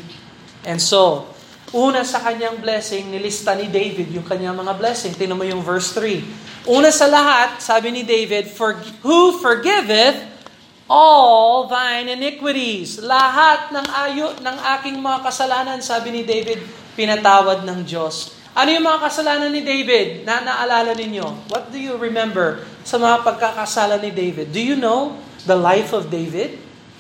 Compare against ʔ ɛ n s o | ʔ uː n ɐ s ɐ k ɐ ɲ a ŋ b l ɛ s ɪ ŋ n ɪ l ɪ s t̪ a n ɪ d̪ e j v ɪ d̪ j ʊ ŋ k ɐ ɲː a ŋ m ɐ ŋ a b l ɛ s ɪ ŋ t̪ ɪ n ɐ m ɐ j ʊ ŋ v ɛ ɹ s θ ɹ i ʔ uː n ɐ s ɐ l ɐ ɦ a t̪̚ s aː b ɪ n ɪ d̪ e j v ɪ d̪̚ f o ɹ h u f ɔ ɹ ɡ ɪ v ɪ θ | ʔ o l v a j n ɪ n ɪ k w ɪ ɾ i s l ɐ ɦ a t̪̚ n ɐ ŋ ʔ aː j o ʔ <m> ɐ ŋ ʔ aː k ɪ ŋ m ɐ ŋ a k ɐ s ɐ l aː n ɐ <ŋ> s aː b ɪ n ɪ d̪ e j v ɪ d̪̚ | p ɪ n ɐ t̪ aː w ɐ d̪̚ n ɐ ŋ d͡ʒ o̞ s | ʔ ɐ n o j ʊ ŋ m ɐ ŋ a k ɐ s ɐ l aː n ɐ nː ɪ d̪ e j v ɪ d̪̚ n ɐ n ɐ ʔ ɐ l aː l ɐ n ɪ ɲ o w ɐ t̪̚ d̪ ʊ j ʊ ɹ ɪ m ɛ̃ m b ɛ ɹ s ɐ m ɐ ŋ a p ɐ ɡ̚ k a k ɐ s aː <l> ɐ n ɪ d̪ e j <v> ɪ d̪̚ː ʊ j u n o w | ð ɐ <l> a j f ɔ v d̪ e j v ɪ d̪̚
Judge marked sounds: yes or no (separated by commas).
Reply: no, no, yes, yes, yes